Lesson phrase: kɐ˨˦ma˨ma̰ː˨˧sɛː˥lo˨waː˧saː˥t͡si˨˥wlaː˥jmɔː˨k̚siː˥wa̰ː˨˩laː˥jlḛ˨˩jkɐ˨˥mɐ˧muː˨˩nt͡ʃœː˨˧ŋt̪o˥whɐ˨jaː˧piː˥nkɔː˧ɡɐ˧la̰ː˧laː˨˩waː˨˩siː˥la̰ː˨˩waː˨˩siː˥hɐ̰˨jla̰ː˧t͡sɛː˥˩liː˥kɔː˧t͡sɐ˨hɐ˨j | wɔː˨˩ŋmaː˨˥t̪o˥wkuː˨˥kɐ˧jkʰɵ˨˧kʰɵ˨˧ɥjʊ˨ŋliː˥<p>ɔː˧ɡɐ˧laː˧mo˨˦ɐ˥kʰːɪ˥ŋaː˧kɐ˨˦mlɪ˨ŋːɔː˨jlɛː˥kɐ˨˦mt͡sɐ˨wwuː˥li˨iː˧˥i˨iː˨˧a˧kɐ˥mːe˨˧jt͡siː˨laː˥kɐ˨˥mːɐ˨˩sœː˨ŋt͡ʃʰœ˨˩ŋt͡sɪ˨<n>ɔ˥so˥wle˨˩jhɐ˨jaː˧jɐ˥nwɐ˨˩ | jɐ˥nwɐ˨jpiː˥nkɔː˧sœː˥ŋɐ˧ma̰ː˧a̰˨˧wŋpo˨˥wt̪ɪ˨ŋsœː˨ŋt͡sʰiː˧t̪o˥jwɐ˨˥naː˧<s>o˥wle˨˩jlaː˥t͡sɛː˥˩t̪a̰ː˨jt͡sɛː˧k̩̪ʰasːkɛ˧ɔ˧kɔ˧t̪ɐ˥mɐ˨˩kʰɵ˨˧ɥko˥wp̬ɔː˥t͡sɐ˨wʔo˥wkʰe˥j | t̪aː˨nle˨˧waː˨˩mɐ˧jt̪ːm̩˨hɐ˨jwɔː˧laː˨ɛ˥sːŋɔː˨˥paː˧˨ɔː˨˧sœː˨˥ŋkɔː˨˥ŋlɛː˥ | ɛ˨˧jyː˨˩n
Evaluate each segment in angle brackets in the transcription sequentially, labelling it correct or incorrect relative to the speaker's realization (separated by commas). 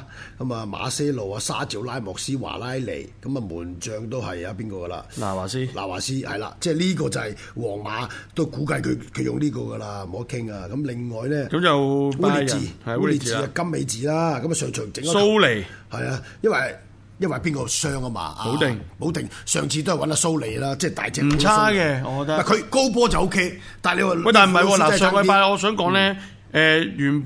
incorrect, incorrect, correct